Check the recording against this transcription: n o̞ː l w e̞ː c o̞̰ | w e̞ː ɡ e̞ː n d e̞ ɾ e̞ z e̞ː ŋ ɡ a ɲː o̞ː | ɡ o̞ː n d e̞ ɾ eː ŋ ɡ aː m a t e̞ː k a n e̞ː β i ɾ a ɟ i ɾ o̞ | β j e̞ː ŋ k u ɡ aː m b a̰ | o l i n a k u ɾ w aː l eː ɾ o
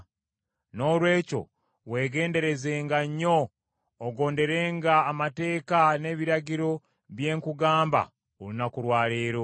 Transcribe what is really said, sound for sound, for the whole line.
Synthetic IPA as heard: n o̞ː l w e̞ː c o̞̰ | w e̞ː ɡ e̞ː n d e̞ ɾ e̞ z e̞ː ŋ ɡ a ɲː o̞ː | ɡ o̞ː n d e̞ ɾ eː ŋ ɡ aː m a t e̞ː k a n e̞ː β i ɾ a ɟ i ɾ o̞ | β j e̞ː ŋ k u ɡ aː m b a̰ | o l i n a k u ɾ w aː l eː ɾ o